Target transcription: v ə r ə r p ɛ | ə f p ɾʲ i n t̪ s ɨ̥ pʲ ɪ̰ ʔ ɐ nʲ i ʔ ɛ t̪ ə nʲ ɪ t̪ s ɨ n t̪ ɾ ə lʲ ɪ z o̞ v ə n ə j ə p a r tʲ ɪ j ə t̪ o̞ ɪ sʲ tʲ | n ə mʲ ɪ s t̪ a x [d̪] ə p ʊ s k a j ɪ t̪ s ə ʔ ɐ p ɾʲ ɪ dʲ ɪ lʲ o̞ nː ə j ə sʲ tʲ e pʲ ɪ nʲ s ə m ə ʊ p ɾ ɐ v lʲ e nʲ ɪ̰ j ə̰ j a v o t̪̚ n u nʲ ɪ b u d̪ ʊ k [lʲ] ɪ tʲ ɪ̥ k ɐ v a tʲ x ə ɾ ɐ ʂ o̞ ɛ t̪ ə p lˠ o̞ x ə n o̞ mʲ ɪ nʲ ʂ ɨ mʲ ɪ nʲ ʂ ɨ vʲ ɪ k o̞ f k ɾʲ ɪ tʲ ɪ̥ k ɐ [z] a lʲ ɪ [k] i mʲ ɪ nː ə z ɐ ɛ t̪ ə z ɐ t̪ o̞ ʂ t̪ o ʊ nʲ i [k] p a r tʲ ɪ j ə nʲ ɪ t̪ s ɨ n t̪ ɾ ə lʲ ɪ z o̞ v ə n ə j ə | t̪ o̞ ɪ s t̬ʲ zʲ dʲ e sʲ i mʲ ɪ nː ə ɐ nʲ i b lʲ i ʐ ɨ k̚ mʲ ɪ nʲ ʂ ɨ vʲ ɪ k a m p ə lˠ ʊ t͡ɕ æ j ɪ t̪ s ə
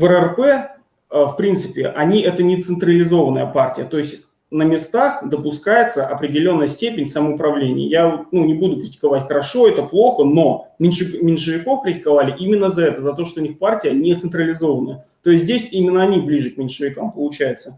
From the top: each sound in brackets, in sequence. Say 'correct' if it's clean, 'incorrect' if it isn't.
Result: correct, incorrect: ɾʲ, incorrect: v, incorrect: ʔ, incorrect: x

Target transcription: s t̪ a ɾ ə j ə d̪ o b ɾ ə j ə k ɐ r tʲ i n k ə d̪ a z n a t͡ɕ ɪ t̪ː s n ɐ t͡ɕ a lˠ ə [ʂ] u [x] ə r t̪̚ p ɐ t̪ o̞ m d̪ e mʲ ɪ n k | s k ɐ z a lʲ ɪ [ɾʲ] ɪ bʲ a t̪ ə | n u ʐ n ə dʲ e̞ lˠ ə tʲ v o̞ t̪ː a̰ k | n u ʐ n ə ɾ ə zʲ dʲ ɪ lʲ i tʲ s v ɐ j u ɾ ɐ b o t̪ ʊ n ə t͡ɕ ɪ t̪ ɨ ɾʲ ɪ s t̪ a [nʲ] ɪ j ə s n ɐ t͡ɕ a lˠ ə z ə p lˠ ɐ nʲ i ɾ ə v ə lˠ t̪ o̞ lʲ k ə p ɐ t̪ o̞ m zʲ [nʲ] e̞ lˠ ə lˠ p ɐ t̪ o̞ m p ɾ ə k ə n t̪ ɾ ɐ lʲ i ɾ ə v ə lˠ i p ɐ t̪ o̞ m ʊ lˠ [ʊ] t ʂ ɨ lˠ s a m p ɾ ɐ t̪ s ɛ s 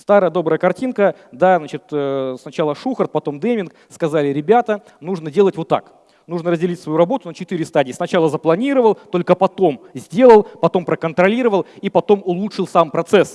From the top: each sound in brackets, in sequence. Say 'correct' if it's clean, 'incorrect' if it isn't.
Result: correct, correct, correct, incorrect: dʲ, incorrect: dʲ, incorrect: u

